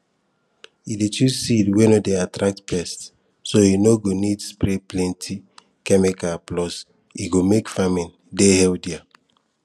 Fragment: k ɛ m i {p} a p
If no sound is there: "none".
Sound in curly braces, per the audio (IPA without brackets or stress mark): k